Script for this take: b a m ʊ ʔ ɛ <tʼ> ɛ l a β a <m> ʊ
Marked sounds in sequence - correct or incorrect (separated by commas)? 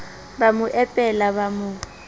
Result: incorrect, correct